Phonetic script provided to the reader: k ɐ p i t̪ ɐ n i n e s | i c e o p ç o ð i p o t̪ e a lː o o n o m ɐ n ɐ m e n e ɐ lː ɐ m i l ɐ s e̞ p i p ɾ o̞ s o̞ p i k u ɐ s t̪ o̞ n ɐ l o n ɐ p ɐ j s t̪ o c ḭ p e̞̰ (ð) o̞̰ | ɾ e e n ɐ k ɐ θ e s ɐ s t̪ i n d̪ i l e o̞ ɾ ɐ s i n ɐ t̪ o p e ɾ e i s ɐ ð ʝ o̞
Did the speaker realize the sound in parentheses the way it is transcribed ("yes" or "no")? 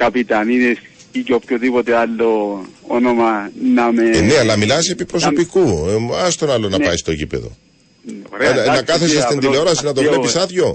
yes